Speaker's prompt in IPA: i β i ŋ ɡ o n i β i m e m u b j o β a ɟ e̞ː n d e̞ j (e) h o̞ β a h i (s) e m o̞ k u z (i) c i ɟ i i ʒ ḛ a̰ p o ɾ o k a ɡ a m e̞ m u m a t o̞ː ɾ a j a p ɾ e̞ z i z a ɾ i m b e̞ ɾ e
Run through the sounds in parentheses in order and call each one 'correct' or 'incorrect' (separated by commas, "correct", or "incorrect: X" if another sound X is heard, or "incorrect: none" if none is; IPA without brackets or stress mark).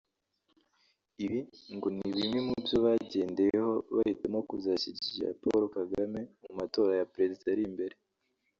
correct, incorrect: t, incorrect: a